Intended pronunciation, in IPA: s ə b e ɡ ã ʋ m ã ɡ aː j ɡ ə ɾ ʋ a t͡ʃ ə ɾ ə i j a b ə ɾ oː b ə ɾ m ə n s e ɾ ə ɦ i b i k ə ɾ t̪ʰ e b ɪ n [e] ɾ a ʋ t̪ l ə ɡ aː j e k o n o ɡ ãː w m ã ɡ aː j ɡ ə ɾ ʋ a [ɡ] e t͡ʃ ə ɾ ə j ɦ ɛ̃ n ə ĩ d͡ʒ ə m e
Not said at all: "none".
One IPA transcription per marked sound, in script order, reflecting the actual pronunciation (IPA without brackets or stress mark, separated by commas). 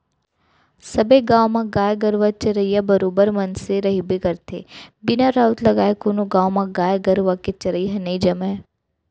a, k